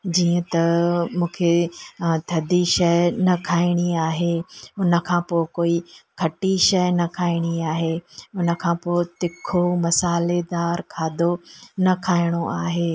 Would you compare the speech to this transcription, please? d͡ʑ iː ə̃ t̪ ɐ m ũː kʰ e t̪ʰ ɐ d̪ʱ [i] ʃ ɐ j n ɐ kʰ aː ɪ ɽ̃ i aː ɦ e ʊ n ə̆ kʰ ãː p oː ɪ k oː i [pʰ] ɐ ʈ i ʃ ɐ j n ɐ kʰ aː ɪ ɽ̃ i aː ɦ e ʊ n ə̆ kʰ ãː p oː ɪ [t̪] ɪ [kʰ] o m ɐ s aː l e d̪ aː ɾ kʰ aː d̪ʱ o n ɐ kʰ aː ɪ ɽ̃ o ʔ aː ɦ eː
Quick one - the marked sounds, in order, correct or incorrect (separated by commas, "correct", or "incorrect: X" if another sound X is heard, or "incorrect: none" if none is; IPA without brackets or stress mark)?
correct, incorrect: kʰ, correct, correct